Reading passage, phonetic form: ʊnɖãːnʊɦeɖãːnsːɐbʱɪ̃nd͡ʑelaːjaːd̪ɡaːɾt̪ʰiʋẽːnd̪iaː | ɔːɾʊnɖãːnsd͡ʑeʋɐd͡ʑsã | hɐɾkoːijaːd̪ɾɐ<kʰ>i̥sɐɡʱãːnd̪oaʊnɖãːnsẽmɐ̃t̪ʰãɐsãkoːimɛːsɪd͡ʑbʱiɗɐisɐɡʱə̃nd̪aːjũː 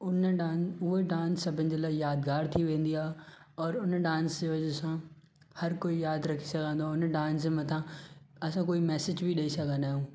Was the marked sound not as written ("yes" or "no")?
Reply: no